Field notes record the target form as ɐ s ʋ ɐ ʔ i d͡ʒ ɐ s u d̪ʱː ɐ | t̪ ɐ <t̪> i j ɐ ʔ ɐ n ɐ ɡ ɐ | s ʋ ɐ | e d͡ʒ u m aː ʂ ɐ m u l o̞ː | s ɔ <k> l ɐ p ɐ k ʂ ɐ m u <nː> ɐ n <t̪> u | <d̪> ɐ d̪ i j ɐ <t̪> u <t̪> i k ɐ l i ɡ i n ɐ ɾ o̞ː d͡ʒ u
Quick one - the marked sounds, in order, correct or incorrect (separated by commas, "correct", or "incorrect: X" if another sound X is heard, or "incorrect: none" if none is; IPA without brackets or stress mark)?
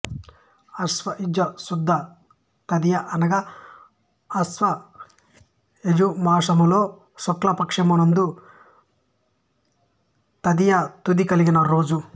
incorrect: d̪, correct, incorrect: n, incorrect: d̪, incorrect: t̪, correct, incorrect: d̪